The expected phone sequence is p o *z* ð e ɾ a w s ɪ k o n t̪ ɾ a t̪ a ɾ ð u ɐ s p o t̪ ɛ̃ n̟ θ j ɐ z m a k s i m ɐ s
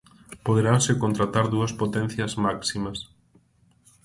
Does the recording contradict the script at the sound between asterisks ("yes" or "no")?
yes